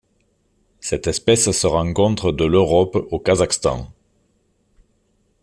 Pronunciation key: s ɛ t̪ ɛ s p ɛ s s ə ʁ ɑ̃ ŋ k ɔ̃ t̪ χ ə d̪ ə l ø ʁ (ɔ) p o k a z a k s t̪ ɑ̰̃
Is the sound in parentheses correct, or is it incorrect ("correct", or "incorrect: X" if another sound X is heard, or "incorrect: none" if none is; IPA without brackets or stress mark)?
correct